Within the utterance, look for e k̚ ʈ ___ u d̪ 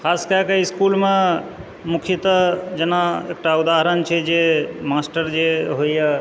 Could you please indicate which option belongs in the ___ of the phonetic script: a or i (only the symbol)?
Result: a